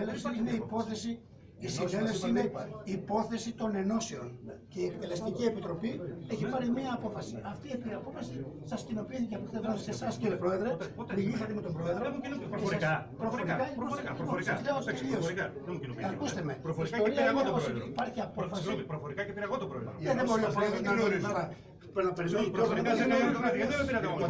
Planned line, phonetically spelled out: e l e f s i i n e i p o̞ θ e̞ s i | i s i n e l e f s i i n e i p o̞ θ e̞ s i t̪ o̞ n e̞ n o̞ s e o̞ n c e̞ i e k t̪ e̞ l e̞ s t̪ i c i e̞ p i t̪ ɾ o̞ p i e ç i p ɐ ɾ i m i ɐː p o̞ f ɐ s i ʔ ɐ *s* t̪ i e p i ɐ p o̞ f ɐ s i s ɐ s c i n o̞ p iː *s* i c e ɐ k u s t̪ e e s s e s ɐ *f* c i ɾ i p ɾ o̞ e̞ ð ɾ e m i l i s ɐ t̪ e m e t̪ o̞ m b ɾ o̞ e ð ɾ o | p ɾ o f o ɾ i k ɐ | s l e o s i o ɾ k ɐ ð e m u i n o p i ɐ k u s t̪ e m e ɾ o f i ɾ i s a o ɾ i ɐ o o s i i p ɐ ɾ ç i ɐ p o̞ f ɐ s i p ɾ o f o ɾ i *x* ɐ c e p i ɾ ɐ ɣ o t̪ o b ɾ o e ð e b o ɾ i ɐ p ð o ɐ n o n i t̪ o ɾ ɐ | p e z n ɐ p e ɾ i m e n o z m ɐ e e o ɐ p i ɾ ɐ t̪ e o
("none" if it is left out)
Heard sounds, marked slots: f, θ, s, k

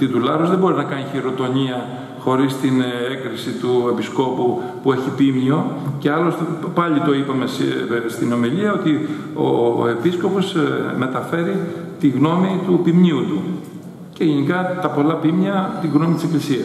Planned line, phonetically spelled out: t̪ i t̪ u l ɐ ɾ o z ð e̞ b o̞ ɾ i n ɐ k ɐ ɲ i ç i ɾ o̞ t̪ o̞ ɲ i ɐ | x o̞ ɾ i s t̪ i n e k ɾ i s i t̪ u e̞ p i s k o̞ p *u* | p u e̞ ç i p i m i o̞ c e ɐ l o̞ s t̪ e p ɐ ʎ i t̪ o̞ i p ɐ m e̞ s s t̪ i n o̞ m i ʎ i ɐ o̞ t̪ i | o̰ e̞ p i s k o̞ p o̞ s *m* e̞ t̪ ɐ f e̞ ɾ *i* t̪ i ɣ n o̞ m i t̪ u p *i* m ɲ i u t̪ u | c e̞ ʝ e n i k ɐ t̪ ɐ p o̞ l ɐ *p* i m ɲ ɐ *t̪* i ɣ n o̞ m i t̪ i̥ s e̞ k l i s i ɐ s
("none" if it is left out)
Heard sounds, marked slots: u, m, i, i, p, t̪

